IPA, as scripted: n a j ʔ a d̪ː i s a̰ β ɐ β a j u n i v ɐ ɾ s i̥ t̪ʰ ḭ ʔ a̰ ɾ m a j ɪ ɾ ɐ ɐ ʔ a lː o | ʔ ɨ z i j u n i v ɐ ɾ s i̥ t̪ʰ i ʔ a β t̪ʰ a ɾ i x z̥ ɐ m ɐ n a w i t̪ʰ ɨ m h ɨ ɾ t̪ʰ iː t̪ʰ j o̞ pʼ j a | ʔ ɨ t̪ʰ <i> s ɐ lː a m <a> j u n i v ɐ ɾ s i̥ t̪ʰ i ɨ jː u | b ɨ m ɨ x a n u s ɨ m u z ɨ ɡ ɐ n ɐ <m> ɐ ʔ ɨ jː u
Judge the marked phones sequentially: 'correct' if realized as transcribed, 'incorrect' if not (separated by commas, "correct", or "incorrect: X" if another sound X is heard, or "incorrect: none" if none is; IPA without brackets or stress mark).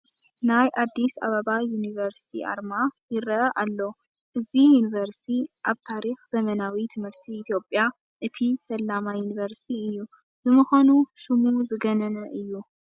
correct, correct, incorrect: n